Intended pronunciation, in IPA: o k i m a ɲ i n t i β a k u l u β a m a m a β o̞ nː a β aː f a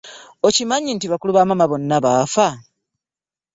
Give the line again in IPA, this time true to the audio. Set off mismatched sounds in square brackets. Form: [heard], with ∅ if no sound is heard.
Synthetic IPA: o [c] i m a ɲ i n t i β a k u l u β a m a m a β o̞ nː a β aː f a